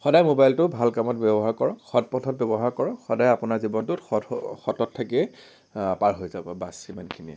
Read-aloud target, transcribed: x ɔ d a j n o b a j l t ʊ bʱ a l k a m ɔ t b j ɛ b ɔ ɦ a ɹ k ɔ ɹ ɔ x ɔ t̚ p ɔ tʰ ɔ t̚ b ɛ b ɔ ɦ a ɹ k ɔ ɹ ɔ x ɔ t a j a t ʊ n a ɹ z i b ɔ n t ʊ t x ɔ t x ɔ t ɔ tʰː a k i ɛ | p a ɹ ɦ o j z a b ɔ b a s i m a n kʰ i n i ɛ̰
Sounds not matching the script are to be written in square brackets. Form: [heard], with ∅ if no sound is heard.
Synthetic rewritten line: x ɔ d a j [m] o b a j l t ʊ bʱ a l k a m ɔ t b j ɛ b ɔ ɦ a ɹ k ɔ ɹ ɔ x ɔ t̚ p ɔ tʰ ɔ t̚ b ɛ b ɔ ɦ a ɹ k ɔ ɹ ɔ x ɔ [d] a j a [p] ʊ n a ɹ z i b ɔ n t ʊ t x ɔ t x ɔ t ɔ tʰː a k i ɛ | p a ɹ ɦ o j z a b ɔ b a s i m a n kʰ i n i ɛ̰

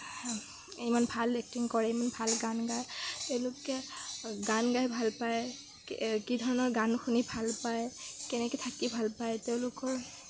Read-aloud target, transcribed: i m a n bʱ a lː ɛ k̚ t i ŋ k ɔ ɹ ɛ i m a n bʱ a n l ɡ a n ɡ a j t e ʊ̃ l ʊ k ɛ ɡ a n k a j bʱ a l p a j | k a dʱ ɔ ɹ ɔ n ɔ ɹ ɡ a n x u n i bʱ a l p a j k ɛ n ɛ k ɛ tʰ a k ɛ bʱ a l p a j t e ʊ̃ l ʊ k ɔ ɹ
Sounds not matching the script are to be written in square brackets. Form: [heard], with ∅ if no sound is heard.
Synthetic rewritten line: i m a n bʱ a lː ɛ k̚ t i ŋ k ɔ ɹ ɛ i m a n bʱ a [∅] l ɡ a n ɡ a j t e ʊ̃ l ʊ k ɛ ɡ a n [ɡ] a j bʱ a l p a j | k [i] dʱ ɔ ɹ ɔ n ɔ ɹ ɡ a n x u n i bʱ a l p a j k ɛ n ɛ k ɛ tʰ a k [i] bʱ a l p a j t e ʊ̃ l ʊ k ɔ ɹ

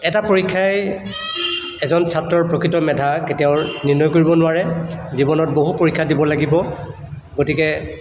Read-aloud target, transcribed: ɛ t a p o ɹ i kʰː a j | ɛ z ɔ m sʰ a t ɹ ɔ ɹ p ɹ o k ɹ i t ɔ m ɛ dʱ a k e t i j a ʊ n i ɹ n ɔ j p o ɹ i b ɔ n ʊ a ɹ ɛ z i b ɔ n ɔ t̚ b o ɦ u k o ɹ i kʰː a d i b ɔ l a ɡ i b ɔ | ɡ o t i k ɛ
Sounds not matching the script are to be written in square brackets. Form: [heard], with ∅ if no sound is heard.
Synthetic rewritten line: ɛ t a p o ɹ i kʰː a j | ɛ z ɔ [n] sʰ a t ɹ ɔ ɹ p ɹ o k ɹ i t ɔ m ɛ dʱ a k e t i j a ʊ n i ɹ n ɔ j [k] o ɹ i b ɔ n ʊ a ɹ ɛ z i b ɔ n ɔ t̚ b o ɦ u [p] o ɹ i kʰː a d i b ɔ l a ɡ i b ɔ | ɡ o t i k ɛ

